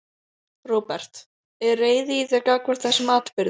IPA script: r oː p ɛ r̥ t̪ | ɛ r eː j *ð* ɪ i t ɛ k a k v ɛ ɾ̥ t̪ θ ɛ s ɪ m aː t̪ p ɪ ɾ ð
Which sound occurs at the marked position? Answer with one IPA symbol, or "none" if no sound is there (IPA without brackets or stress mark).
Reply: ð